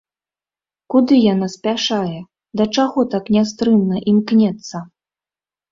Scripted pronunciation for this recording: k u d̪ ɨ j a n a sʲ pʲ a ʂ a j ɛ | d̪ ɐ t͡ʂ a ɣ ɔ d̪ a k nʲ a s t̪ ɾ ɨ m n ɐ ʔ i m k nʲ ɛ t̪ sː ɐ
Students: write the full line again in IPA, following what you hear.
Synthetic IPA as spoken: k u d̪ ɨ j a n a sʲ pʲ a ʂ a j ɛ | d̪ ɐ t͡ʂ a ɣ ɔ t̪ a k nʲ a s t̪ ɾ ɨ m n ɐ ʔ i m k nʲ ɛ t̪ sː ɐ